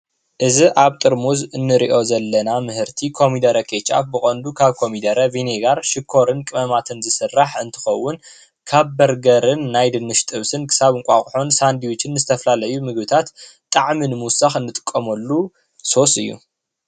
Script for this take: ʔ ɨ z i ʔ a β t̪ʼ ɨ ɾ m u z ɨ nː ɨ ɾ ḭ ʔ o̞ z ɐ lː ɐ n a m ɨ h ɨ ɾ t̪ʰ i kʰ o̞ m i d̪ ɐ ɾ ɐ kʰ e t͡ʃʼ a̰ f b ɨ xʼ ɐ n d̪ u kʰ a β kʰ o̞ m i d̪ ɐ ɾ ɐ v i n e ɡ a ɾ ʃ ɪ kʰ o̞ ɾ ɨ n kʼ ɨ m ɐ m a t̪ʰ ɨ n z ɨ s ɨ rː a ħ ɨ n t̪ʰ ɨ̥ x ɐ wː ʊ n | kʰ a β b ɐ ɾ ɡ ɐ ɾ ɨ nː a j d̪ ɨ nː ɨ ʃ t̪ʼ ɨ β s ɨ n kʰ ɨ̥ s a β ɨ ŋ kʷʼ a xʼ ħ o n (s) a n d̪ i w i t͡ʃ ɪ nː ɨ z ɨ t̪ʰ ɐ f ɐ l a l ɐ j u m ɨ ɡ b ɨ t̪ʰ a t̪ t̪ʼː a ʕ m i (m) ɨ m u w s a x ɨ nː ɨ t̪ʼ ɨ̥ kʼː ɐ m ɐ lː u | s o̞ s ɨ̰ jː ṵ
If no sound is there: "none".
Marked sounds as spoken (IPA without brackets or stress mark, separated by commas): s, n